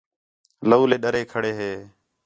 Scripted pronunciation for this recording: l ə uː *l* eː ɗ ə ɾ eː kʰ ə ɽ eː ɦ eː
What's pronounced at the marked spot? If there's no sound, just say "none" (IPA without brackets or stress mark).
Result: l